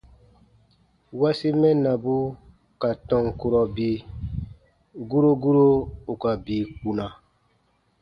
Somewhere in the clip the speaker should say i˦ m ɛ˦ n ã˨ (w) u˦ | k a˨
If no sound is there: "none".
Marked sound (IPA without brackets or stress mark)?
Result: b